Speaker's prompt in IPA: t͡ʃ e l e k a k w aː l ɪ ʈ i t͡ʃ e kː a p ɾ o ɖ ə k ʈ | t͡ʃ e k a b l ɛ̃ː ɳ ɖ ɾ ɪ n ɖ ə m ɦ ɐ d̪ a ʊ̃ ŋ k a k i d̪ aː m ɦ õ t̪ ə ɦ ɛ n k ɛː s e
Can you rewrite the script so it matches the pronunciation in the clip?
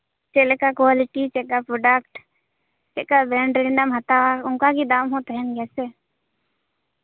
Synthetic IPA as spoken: t͡ʃ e l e k a k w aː l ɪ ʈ i t͡ʃ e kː a p ɾ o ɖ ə k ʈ | t͡ʃ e k a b ɾ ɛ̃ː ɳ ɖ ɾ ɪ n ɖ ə m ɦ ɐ t̪ a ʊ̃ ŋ k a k i d̪ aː m ɦ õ t̪ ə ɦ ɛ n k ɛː s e